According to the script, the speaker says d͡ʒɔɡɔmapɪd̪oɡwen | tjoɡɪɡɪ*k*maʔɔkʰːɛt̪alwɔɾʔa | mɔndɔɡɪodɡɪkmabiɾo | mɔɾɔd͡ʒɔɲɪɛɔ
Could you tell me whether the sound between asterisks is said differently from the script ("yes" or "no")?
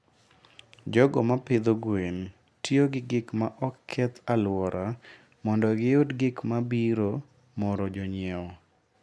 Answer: no